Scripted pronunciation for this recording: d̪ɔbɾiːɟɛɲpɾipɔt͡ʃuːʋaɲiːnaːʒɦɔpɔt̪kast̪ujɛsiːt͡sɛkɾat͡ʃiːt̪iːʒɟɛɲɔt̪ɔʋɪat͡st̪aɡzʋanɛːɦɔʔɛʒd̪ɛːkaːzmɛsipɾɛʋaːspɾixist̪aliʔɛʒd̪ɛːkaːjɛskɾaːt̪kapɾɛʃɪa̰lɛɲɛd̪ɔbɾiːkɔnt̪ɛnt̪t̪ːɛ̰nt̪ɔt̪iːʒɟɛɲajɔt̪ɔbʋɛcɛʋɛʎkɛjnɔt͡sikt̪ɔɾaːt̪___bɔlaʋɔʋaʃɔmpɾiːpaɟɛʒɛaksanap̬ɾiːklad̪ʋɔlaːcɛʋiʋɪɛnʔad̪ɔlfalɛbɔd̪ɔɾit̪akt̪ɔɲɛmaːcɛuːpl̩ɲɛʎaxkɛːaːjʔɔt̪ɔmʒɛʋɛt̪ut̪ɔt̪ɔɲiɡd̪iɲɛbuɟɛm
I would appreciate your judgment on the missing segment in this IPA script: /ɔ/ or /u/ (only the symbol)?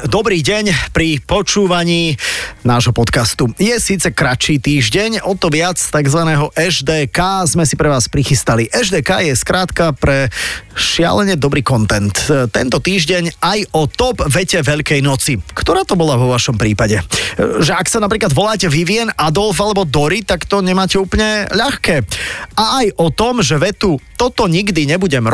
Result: ɔ